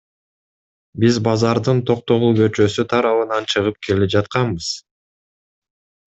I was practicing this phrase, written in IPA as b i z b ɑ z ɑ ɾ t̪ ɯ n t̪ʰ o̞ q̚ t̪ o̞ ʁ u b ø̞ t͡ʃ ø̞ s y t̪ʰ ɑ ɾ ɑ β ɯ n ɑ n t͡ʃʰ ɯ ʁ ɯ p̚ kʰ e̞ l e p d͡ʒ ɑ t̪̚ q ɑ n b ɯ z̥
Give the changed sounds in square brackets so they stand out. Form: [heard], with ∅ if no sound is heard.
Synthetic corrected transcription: b i z b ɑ z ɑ ɾ [d̪] ɯ n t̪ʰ o̞ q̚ t̪ o̞ ʁ u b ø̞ t͡ʃ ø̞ s y t̪ʰ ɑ ɾ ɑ β ɯ n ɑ n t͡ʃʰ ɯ ʁ ɯ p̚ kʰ e̞ l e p d͡ʒ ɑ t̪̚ q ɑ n b ɯ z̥

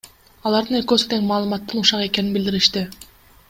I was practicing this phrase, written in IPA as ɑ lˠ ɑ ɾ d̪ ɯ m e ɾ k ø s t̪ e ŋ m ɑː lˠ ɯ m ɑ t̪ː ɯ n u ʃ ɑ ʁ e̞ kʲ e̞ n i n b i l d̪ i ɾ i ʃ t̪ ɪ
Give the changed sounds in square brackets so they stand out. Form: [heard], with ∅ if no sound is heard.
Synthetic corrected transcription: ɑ lˠ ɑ ɾ d̪ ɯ [n] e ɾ k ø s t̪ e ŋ m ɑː lˠ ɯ m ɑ t̪ː ɯ n u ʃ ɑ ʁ e̞ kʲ e̞ n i n b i l d̪ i ɾ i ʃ t̪ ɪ

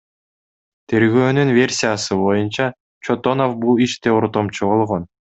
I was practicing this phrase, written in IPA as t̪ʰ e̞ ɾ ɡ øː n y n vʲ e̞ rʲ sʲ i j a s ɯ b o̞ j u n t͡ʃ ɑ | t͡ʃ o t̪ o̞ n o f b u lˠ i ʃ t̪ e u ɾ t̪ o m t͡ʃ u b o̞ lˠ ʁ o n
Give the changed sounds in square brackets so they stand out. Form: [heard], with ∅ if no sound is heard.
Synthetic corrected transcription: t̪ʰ e̞ ɾ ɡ øː n y n vʲ e̞ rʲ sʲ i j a s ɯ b o̞ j u n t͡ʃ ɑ | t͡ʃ o t̪ o̞ n o f b u lˠ i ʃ t̪ e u ɾ t̪ o m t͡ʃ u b o̞ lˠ ʁ o n

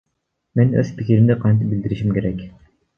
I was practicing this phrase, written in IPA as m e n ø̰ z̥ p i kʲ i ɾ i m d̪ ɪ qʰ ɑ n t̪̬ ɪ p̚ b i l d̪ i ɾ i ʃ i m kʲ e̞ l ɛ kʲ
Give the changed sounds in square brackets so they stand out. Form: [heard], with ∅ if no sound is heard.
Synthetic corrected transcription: m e n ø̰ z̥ p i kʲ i ɾ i m d̪ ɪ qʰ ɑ n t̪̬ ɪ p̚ b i l d̪ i ɾ i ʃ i m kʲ e̞ [ɾ] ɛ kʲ

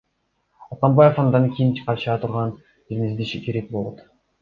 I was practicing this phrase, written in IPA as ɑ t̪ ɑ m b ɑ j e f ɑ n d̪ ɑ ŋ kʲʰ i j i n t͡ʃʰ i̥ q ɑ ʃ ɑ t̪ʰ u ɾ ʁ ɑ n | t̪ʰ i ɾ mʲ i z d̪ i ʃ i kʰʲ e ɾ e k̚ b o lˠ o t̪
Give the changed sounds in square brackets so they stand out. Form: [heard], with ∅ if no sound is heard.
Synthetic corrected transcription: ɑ t̪ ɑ m b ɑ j e f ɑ n d̪ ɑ ŋ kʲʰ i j i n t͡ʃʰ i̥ q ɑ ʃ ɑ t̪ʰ u ɾ ʁ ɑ n | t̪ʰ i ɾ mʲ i z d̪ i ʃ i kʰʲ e ɾ e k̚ b o lˠ o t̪

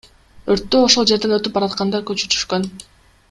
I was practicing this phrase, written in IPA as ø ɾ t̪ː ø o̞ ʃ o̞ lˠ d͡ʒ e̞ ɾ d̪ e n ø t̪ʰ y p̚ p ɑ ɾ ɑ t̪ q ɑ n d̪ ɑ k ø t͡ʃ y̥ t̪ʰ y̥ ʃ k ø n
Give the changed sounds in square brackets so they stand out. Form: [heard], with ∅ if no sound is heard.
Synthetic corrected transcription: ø ɾ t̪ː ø o̞ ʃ o̞ lˠ d͡ʒ e̞ ɾ d̪ e n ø [t̪] y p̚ [b] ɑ ɾ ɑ t̪ q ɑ n d̪ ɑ k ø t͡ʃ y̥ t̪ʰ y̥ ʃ k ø n

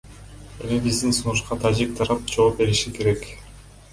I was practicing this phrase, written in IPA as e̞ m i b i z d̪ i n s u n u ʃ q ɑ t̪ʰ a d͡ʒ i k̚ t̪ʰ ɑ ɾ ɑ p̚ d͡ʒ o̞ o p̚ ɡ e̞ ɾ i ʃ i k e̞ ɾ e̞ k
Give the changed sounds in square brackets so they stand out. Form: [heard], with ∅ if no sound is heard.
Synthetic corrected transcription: e̞ m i b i z d̪ i n s u n u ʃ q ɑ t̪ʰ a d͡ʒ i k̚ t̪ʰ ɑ ɾ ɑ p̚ d͡ʒ o̞ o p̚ [b] e̞ ɾ i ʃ i k e̞ ɾ e̞ k

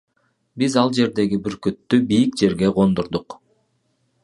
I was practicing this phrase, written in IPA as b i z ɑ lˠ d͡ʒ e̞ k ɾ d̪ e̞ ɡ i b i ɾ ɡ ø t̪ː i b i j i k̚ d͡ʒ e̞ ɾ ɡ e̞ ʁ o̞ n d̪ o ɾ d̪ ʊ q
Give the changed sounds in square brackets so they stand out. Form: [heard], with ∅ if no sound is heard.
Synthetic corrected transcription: b i z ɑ lˠ d͡ʒ e̞ [∅] ɾ d̪ e̞ ɡ i b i ɾ [k] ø t̪ː [y] b i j i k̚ d͡ʒ e̞ ɾ ɡ e̞ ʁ o̞ n d̪ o ɾ d̪ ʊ q

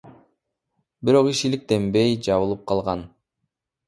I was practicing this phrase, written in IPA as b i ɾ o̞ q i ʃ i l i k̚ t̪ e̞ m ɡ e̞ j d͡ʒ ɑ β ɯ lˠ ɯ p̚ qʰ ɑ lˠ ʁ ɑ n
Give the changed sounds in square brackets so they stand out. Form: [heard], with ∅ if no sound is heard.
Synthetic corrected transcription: b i ɾ o̞ q i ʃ i l i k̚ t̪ e̞ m [b] e̞ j d͡ʒ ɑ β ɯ lˠ ɯ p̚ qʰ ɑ lˠ ʁ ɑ n

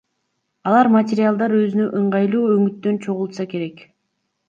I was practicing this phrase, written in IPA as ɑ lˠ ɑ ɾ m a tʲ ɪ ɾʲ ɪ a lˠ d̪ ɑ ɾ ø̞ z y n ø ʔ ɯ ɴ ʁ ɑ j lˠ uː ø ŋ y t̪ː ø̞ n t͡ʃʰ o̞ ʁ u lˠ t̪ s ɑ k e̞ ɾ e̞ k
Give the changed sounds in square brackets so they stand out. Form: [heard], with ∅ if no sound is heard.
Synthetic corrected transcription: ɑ lˠ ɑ ɾ m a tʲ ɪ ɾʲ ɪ a lˠ d̪ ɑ ɾ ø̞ z y n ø ʔ ɯ ɴ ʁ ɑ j lˠ uː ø ŋ y t̪ː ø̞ n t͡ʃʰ o̞ ʁ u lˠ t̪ s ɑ k e̞ ɾ e̞ k

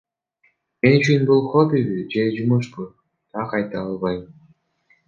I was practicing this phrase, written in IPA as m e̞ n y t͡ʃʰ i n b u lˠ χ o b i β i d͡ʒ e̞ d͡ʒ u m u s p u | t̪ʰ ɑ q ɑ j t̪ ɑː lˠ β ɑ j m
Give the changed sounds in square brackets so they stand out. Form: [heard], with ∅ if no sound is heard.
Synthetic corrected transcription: m e̞ n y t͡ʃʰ [y] n b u lˠ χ o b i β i d͡ʒ e̞ d͡ʒ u m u [ʃ] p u | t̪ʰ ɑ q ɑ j t̪ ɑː lˠ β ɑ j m

